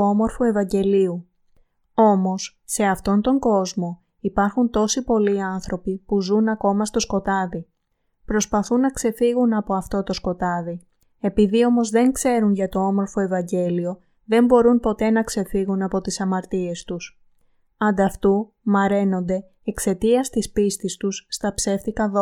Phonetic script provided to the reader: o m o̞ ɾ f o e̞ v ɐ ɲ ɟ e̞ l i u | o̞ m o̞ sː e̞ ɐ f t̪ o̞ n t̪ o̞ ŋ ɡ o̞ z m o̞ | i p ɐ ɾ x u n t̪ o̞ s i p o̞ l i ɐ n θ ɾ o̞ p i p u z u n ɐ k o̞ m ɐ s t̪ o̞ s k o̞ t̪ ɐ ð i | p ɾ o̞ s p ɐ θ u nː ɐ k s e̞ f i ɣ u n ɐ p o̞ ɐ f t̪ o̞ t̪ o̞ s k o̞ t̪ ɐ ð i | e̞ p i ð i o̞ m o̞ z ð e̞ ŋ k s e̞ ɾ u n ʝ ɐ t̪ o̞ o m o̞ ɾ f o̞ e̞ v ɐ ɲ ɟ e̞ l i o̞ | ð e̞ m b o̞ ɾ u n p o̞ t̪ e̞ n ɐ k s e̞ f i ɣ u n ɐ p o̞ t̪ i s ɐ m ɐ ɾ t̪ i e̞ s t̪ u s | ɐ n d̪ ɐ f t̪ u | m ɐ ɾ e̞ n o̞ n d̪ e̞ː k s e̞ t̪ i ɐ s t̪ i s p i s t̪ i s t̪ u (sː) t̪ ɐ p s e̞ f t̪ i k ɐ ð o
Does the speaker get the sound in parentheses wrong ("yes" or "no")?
no